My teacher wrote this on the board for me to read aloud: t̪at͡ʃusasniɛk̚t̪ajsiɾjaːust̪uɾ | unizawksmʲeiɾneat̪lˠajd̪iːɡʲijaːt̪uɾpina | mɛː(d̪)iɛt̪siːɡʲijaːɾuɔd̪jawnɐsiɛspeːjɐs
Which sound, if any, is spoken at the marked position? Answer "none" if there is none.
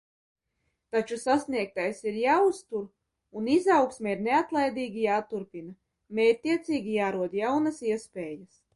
t̪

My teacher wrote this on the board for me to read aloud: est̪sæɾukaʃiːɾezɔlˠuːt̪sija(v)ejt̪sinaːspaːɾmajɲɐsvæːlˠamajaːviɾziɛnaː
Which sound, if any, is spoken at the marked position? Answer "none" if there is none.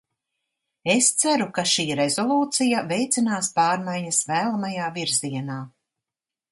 v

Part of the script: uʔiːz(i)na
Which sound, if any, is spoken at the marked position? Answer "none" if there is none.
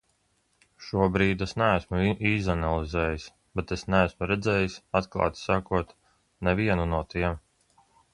a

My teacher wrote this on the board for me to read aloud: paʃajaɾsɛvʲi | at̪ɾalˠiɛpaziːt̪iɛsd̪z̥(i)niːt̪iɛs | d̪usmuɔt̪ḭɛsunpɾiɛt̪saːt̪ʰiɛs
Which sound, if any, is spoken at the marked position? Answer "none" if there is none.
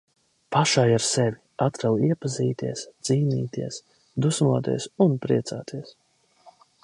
iː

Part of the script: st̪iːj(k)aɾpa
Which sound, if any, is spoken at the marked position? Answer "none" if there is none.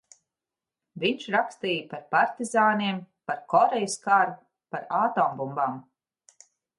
p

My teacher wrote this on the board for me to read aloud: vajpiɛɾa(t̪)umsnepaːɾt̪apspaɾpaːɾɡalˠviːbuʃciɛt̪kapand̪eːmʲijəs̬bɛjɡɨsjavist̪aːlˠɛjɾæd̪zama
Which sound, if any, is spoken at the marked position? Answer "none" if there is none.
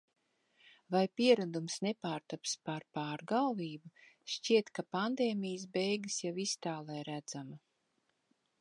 d̪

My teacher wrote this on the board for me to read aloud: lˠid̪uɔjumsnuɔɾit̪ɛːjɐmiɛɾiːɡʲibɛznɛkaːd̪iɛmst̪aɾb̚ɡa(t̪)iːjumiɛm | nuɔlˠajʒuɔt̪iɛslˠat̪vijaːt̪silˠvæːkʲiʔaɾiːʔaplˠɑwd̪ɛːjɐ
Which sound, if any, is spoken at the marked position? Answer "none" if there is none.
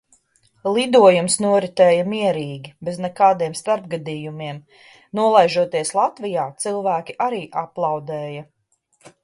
d̪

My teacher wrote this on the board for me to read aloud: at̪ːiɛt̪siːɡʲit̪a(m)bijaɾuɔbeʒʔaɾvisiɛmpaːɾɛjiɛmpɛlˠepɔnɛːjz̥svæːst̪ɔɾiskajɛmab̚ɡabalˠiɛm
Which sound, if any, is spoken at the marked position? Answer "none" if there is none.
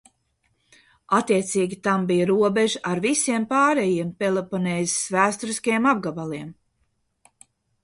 m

